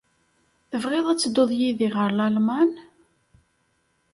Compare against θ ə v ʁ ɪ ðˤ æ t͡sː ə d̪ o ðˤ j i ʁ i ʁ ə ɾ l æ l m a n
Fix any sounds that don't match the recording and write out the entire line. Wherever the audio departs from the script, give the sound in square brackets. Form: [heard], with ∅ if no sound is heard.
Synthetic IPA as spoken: θ ə v ʁ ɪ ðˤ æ t͡sː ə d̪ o ðˤ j i [ð] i ʁ ə ɾ l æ l m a n